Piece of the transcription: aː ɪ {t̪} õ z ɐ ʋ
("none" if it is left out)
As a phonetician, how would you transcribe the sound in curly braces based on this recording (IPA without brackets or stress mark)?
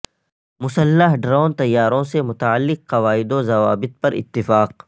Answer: d̪